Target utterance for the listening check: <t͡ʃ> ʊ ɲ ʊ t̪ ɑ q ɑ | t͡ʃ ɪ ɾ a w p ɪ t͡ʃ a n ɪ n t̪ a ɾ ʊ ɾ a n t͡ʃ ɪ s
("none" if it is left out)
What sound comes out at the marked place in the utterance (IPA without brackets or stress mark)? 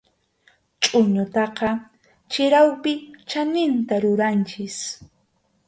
t͡ʃʼ